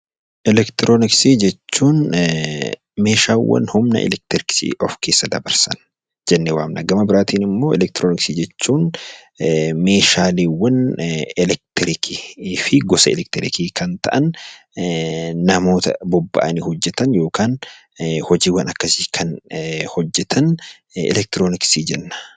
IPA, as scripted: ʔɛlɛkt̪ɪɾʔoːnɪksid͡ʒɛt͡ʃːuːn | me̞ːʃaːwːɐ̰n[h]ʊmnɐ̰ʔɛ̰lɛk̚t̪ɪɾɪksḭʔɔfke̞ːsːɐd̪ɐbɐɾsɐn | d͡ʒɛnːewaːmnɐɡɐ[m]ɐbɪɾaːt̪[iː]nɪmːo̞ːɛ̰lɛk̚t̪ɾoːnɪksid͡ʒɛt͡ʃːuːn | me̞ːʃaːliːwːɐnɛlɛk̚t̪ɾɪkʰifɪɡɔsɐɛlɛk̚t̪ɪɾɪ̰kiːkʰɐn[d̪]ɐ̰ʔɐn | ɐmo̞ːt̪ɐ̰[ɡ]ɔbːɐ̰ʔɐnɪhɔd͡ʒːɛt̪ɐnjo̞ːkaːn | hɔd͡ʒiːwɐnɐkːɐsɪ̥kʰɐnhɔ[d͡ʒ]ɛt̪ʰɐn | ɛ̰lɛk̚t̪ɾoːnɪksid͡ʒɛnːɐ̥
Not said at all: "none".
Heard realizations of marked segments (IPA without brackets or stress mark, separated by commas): h, m, iː, t̪, b, d͡ʒː